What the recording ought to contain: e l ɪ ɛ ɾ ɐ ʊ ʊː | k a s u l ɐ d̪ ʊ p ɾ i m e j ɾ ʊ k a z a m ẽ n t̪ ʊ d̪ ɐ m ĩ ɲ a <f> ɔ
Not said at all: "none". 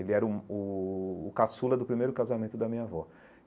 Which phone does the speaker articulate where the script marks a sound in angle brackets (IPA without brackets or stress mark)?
v